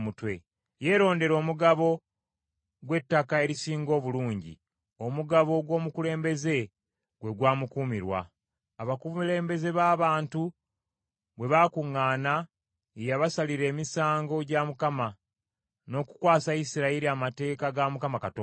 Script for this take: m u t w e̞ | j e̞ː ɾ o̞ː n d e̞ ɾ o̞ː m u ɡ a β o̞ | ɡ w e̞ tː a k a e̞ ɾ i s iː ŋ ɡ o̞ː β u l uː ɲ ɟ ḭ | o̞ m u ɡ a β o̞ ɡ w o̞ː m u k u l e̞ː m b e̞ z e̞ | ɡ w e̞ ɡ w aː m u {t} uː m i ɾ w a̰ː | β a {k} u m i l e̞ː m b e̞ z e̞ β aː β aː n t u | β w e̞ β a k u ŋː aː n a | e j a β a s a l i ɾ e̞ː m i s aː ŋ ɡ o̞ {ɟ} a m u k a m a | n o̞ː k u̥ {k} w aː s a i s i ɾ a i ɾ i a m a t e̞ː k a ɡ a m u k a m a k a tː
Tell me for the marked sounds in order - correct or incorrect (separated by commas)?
incorrect, correct, correct, correct